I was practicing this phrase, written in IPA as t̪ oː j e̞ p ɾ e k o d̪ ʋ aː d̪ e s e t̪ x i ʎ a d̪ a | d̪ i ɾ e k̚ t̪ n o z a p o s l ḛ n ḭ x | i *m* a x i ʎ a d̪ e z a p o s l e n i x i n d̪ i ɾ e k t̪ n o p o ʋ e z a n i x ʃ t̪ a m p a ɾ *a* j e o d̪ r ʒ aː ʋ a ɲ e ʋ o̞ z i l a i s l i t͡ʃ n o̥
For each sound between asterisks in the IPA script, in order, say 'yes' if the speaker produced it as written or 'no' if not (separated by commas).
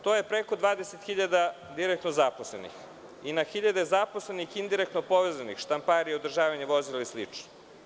no, no